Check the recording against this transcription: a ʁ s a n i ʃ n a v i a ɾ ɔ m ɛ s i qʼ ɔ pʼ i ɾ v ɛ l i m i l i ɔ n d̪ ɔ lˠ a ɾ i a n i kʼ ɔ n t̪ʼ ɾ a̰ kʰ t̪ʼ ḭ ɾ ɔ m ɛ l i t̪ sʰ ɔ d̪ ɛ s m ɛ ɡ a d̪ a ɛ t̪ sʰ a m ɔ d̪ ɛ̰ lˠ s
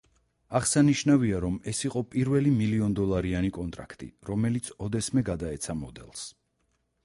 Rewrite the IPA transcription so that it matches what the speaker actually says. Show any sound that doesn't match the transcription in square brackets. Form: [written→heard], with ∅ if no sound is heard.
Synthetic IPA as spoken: a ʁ s a n i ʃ n a v i a ɾ ɔ m ɛ s i qʼ ɔ pʼ i ɾ v ɛ l i m i l i ɔ n d̪ ɔ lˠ a ɾ i a n i kʼ ɔ n t̪ʼ ɾ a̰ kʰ t̪ʼ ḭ ɾ ɔ m ɛ l i t̪ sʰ ɔ d̪ ɛ s m ɛ ɡ a d̪ a ɛ t̪ sʰ a m ɔ d̪ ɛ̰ lˠ s